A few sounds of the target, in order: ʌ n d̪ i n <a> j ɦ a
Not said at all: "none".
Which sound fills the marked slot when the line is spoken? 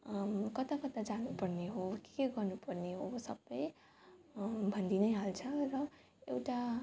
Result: ʌ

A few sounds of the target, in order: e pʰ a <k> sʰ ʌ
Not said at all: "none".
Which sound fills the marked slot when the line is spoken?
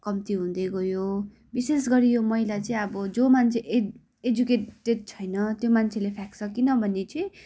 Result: k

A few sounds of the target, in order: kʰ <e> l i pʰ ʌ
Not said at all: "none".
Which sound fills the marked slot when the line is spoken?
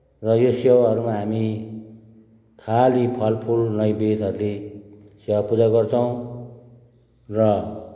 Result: a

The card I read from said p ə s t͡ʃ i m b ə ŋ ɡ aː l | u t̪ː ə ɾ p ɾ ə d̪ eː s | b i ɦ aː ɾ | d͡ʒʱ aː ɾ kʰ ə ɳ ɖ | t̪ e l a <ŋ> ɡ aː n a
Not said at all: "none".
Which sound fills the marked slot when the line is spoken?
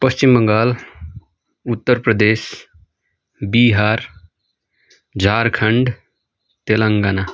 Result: ŋ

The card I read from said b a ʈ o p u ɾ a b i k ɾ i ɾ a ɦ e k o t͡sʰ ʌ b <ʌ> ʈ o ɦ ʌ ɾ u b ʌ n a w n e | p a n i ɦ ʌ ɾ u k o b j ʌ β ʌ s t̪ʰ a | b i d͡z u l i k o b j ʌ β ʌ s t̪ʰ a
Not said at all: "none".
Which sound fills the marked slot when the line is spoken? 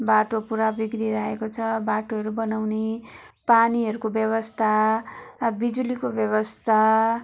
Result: a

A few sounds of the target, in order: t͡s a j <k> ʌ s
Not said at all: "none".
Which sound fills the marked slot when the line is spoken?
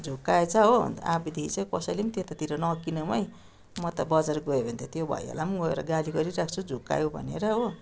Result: k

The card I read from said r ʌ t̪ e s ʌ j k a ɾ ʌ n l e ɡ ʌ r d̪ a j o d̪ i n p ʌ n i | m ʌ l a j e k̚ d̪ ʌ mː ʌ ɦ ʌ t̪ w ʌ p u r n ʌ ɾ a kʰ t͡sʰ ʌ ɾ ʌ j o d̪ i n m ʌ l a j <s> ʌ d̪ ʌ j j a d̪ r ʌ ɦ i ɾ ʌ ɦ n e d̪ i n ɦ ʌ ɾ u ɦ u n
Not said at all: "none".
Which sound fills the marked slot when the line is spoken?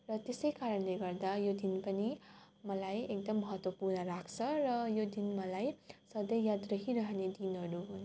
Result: s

